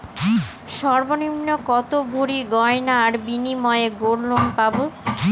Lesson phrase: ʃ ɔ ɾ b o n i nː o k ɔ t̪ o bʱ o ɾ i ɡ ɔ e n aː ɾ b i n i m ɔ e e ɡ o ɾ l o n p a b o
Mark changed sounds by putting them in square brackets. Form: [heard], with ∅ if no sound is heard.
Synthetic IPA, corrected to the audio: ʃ ɔ ɾ b o n i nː o k ɔ t̪ o bʱ o ɾ i ɡ ɔ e n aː ɾ b i n i m ɔ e e ɡ o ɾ l o n p a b o